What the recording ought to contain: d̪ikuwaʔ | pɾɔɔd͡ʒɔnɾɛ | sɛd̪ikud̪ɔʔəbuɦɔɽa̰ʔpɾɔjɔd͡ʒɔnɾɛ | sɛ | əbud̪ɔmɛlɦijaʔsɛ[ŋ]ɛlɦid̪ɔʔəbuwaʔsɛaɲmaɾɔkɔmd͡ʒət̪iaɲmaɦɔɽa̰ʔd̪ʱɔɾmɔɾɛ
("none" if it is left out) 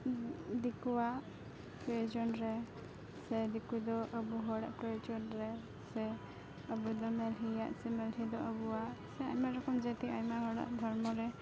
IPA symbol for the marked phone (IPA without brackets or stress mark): m